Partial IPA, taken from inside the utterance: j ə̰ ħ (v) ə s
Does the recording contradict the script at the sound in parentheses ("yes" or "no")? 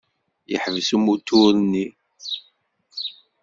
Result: no